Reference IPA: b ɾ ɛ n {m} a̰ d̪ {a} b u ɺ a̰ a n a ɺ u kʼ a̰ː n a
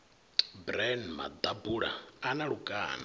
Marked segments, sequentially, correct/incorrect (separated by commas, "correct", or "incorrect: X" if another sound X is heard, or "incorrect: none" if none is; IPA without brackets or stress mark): correct, correct